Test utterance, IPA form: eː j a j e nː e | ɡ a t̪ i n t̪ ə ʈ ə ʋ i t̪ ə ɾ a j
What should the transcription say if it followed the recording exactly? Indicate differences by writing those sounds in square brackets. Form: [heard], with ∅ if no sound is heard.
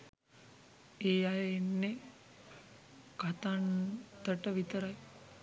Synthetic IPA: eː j a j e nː e | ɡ a t̪ [a] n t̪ ə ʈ ə ʋ i t̪ ə ɾ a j